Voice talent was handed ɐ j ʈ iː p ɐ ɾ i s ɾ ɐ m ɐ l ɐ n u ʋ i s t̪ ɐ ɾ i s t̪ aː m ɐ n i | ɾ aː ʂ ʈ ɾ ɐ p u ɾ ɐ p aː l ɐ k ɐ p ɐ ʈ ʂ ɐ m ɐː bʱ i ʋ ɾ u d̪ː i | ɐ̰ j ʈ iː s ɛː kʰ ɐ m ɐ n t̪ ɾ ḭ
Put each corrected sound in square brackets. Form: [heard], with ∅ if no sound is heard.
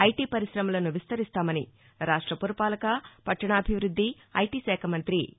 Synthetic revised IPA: ɐ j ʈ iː p ɐ ɾ i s ɾ ɐ m ɐ l ɐ n u ʋ i s t̪ ɐ ɾ i s t̪ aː m ɐ n i | ɾ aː ʂ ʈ ɾ ɐ p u ɾ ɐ p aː l ɐ k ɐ p ɐ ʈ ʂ ɐ [ɳ] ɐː bʱ i ʋ ɾ u d̪ː i | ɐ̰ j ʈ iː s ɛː kʰ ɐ m ɐ n t̪ ɾ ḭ